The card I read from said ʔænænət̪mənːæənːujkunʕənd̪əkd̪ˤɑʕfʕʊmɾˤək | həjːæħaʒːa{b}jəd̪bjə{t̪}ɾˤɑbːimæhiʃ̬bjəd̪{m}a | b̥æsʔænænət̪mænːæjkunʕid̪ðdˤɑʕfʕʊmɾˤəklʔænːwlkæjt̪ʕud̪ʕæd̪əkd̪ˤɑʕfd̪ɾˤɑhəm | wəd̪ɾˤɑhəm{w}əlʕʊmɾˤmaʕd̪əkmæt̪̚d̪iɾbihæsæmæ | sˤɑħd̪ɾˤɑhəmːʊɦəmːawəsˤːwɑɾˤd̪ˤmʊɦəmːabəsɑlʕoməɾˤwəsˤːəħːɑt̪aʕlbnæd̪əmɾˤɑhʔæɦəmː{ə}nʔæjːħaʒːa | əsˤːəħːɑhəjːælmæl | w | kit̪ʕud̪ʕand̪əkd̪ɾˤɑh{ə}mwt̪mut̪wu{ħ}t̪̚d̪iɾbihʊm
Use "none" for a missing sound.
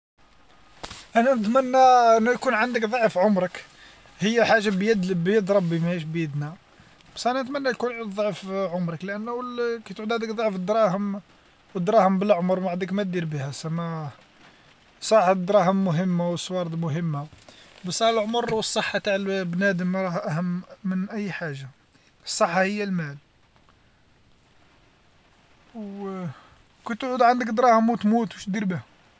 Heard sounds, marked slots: b, d̪, n, b, ə, ə, ʃ

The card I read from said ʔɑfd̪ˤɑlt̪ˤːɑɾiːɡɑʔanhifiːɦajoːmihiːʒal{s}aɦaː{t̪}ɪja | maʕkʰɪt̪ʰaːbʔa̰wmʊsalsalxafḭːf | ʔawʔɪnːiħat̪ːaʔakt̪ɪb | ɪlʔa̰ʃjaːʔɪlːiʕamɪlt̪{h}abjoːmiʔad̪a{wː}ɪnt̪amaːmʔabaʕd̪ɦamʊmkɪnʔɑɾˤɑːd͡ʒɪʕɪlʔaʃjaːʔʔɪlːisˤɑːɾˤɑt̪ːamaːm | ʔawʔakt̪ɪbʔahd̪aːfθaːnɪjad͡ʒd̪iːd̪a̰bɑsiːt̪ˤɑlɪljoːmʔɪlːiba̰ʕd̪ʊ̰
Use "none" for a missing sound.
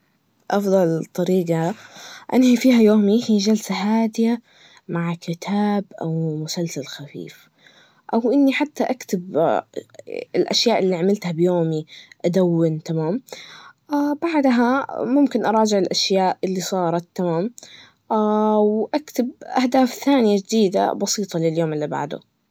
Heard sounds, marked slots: s, d̪, h, wː

